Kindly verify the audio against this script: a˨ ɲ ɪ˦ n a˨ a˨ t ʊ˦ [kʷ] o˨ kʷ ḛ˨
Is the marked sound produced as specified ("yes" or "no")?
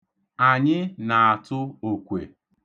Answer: no